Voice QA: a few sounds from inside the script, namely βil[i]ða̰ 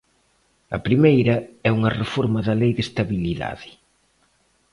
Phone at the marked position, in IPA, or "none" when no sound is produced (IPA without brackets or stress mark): i